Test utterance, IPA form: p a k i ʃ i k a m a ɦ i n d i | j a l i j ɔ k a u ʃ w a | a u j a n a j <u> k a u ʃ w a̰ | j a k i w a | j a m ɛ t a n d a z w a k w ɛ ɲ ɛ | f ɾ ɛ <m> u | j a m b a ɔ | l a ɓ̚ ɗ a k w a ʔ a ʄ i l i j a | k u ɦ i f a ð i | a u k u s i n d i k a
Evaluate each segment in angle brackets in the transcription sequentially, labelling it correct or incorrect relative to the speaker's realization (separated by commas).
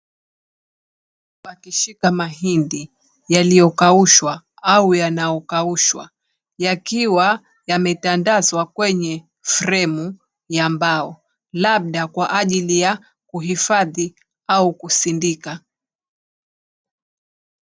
incorrect, correct